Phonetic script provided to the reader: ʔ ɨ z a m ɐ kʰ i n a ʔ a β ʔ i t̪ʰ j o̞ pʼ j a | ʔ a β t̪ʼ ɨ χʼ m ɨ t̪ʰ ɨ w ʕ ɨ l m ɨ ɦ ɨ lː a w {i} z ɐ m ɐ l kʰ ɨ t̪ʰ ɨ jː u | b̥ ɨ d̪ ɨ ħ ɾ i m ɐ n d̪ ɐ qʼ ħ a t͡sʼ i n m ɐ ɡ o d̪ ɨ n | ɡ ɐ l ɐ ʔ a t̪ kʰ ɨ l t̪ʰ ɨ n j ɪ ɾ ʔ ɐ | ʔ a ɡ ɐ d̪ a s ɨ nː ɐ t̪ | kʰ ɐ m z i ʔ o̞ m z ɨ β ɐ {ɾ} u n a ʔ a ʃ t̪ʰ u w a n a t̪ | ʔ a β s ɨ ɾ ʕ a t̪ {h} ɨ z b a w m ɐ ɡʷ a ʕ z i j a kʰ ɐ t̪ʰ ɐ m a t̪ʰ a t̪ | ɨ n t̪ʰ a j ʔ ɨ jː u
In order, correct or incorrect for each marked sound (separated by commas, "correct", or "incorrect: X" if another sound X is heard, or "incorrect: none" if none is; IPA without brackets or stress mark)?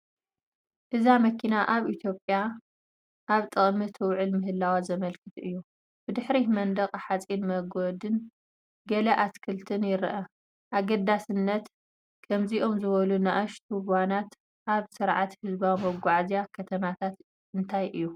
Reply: incorrect: a, incorrect: l, correct